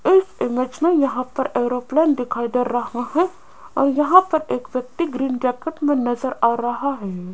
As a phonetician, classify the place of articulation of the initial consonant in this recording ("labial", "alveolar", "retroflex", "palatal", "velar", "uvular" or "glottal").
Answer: alveolar